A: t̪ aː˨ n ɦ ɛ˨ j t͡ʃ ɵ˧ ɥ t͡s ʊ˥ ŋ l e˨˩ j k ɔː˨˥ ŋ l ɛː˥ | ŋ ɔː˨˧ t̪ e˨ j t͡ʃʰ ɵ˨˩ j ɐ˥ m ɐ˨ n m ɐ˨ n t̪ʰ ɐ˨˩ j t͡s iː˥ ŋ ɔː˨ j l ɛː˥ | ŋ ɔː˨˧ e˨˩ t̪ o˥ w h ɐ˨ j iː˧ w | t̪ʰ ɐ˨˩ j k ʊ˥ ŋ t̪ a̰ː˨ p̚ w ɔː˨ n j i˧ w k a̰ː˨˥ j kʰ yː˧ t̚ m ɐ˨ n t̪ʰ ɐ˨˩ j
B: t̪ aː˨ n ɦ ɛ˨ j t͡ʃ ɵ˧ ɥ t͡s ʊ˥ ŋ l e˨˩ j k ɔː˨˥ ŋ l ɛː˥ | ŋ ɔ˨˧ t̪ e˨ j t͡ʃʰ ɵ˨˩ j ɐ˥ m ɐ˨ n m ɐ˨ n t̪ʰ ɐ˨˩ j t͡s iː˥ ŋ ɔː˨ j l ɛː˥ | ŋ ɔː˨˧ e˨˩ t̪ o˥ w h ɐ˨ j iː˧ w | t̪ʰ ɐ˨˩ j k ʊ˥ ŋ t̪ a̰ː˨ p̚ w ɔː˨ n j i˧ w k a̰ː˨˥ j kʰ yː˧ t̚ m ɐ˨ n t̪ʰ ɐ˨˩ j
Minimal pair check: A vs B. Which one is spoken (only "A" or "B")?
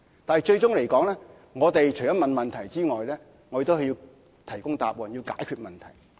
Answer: A